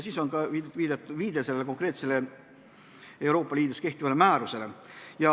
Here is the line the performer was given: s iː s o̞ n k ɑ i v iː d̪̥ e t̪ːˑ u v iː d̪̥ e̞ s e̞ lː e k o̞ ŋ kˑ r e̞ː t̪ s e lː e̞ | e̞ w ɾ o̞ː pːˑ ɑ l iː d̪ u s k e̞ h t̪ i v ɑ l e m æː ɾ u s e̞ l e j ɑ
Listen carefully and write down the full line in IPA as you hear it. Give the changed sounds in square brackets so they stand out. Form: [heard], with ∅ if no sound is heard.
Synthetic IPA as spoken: s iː s o̞ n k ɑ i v iː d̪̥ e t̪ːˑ u v iː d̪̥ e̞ s e̞ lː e k o̞ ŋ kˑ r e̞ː t̪ s e [l] e̞ | e̞ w ɾ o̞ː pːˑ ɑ l iː d̪ u s k e̞ h t̪ i v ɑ l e m æː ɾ u s e̞ l e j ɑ